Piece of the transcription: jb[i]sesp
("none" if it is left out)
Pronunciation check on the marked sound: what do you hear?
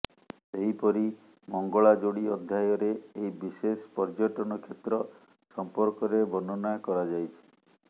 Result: i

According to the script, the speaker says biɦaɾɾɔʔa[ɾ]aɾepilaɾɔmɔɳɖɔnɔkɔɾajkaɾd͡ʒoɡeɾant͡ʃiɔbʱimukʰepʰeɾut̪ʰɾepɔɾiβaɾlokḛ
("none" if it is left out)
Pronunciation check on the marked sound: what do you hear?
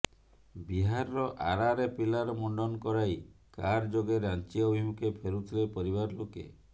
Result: ɾ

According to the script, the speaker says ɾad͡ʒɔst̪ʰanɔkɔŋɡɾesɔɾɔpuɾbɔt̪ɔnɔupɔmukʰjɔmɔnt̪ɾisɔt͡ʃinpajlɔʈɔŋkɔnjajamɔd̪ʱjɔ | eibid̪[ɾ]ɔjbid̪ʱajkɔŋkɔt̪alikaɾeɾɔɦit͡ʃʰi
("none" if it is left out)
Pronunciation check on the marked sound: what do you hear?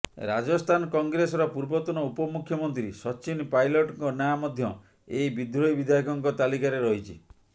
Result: ɾ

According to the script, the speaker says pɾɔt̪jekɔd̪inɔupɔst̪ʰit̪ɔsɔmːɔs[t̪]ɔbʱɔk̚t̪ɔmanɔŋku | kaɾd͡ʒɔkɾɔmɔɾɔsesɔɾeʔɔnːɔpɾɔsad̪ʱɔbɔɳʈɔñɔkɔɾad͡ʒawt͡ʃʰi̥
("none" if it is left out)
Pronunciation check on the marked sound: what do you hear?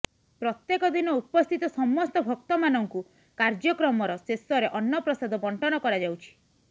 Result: t̪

